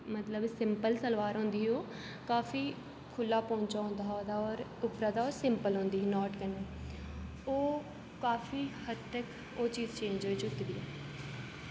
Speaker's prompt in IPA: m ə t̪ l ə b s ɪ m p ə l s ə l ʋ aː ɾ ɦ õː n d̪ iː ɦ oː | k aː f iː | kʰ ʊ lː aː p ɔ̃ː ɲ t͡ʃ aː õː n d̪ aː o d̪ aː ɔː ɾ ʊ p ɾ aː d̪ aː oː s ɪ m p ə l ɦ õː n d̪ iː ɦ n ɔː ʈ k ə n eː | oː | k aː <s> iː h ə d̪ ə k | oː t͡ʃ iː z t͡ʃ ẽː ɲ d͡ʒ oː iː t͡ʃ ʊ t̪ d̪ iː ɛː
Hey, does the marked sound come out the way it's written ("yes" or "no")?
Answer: no